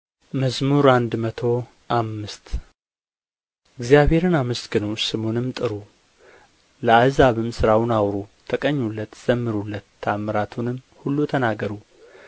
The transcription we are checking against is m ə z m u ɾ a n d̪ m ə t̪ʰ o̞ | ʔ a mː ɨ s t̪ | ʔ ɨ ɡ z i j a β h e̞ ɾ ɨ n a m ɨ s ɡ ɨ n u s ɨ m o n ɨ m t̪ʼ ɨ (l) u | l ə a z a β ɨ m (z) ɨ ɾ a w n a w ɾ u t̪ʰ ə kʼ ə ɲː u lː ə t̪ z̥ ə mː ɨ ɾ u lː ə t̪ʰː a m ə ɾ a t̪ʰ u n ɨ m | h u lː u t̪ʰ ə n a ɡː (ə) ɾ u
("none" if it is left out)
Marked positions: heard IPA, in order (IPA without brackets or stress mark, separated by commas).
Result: ɾ, s, ə